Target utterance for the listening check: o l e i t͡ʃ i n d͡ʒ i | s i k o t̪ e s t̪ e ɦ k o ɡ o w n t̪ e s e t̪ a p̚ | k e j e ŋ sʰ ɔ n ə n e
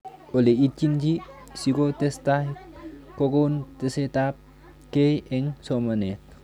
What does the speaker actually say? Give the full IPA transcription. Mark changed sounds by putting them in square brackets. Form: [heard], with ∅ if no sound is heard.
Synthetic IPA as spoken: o l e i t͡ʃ i n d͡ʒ i | s i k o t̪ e s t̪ [a] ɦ k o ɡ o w n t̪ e s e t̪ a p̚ | k e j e ŋ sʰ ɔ [m] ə n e